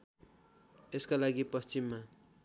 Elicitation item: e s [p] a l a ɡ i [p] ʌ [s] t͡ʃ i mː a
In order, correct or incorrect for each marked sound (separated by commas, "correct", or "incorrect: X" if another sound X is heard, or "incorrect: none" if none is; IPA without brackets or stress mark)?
incorrect: k, correct, correct